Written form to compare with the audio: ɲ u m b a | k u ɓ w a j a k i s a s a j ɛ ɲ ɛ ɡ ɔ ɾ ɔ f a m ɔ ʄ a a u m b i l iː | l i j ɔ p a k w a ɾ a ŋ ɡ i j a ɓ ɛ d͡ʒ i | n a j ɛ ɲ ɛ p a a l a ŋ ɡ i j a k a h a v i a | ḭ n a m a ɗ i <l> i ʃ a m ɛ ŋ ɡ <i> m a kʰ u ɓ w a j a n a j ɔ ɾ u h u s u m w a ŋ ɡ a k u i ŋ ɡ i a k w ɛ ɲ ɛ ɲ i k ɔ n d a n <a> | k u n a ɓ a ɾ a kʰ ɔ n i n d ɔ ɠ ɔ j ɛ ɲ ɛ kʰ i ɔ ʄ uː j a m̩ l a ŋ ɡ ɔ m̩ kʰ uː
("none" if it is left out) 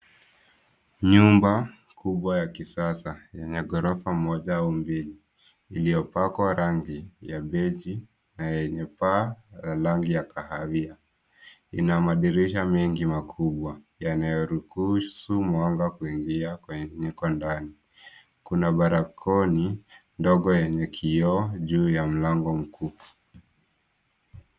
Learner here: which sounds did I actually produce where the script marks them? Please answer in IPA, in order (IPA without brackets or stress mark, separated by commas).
ɾ, i, i